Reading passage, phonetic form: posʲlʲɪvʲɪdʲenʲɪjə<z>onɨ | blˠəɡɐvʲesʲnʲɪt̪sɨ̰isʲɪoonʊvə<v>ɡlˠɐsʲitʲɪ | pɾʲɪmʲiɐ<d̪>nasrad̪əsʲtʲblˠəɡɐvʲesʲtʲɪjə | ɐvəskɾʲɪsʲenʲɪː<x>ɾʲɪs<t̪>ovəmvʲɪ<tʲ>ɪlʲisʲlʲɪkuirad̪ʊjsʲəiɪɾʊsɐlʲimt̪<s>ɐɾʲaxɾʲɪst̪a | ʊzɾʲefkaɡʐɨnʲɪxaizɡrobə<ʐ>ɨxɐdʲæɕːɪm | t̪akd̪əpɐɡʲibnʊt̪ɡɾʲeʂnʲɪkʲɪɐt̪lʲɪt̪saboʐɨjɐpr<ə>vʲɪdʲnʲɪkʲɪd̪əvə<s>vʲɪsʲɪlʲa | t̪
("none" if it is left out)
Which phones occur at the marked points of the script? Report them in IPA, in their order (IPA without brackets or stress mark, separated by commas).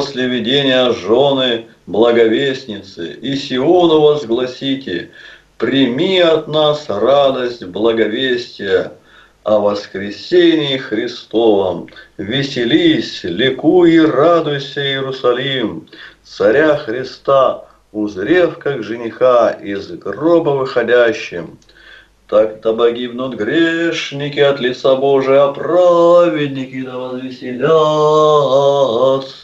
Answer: ʐ, z, t̪, x, t̪, sʲ, s, v, a, z